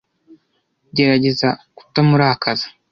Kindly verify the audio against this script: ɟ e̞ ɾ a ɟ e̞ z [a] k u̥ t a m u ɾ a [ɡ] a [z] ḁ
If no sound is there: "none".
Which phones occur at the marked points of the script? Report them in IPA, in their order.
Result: a, k, z

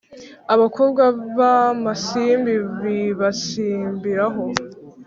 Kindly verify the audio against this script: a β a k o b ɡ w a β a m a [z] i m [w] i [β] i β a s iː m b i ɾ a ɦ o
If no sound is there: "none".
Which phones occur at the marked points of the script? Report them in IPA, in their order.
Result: s, b, β

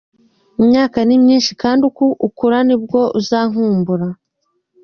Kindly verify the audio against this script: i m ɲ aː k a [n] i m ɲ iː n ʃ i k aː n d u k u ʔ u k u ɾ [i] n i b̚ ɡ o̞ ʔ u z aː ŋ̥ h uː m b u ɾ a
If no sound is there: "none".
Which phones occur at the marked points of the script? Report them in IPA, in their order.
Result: n, a

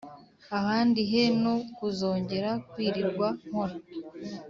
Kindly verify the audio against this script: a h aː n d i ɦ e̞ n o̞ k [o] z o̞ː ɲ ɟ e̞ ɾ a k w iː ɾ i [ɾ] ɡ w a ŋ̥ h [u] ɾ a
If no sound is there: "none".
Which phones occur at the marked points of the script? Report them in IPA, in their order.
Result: u, ɾ, o

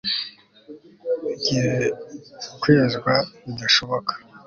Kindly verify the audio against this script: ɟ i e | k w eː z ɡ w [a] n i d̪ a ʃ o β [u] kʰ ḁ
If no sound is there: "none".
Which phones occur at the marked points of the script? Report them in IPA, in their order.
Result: a, o

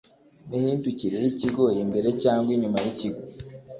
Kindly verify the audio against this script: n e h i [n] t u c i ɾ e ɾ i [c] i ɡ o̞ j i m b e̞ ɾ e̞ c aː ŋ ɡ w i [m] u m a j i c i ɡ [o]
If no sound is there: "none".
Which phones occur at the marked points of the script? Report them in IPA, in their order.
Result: n, c, ɲ, o

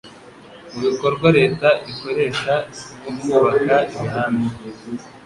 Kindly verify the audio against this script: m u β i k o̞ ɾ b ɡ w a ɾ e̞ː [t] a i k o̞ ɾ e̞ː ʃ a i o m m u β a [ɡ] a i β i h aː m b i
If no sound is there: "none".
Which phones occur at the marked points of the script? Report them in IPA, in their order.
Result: t, k

